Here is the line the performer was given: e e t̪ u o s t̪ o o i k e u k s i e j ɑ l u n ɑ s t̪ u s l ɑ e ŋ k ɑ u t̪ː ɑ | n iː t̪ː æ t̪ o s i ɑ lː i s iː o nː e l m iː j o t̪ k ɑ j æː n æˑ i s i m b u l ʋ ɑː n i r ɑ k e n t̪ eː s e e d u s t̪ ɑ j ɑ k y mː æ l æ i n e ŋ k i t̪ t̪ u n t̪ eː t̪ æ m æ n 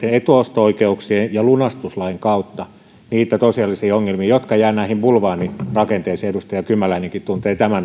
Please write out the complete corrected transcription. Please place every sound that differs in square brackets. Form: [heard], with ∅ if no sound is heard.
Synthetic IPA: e e t̪ u o s t̪ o o i k e u k s i e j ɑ l u n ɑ s t̪ u s l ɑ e ŋ k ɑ u t̪ː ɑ | n iː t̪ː æ t̪ o s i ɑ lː i s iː o [ŋː] e l m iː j o t̪ k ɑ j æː n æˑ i [h] i m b u l ʋ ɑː n i r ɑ k e n t̪ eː s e e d u s t̪ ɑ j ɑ k y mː æ l æ i n e ŋ k i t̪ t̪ u n t̪ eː t̪ æ m æ n

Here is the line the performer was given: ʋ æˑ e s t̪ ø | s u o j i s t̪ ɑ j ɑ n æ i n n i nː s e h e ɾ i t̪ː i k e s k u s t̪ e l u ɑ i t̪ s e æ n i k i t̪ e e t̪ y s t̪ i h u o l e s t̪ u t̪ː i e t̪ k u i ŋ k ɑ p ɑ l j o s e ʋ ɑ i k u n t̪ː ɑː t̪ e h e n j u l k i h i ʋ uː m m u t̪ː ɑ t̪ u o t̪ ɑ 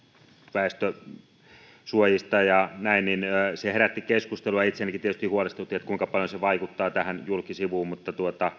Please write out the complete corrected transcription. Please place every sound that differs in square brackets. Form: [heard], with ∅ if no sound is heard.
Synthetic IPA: ʋ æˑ e s t̪ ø | s u o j i s t̪ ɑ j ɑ n æ i n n i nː s e h e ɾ [æ] t̪ː i k e s k u s t̪ e l u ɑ i t̪ s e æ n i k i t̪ [i] e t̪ y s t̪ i h u o l e s t̪ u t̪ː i e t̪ k u i ŋ k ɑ p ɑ l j o s e ʋ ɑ i k u [∅] t̪ː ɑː t̪ [æ] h [æ] n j u l k i [s] i ʋ uː m m u t̪ː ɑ t̪ u o t̪ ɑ

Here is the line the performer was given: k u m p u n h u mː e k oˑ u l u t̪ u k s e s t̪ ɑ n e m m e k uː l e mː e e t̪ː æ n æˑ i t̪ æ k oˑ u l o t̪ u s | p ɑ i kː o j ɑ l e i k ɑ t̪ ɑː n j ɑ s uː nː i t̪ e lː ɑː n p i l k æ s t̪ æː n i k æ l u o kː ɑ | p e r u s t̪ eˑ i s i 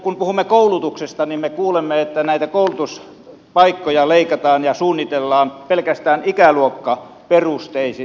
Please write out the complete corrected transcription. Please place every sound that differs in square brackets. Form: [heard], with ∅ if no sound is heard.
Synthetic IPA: k u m p u [∅] h u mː e k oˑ u l u t̪ u k s e s t̪ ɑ n [i] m m e k uː l e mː e e t̪ː æ n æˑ i t̪ æ k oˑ u l [u] t̪ u s | p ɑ i kː o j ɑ l e i k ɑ t̪ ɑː n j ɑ s uː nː i t̪ e lː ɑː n p [e] l k æ s t̪ æː n i k æ l u o kː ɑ | p e r u s t̪ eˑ i s i

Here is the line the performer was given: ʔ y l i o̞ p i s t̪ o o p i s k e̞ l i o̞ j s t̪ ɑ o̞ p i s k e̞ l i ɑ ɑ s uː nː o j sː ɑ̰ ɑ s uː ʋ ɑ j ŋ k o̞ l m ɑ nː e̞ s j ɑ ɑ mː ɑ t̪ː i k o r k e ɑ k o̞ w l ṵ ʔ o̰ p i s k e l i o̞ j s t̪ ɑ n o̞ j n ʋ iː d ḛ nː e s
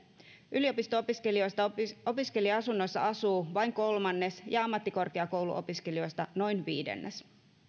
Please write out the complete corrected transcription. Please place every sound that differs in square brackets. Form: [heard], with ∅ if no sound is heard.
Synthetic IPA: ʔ y l i o̞ p i s t̪ o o p i s k e̞ l i o̞ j s t̪ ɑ o̞ p i s k e̞ l i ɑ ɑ s [u] nː o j sː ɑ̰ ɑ s uː ʋ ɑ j ŋ k o̞ l m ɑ nː e̞ s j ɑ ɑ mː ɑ t̪ː i k o r k e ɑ k o̞ w l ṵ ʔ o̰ p i s k e l i o̞ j s t̪ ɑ n o̞ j n ʋ iː d ḛ nː e s

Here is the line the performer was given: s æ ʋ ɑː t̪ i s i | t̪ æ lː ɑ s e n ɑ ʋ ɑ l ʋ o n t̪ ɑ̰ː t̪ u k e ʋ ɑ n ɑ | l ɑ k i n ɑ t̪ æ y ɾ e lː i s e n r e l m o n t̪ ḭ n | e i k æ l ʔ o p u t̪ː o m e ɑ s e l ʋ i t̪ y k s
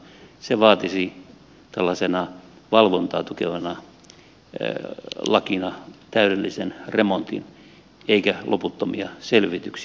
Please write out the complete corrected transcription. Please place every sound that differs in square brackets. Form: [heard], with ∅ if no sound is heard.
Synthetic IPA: s [e] ʋ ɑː t̪ i s i | t̪ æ lː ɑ s e n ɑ ʋ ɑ l ʋ o n t̪ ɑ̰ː t̪ u k e ʋ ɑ n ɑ | l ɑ k i n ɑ t̪ æ y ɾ e lː i s e n r e [∅] m o n t̪ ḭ n | e i k æ l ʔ o p u t̪ː o m [i] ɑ s e l ʋ i t̪ y k s

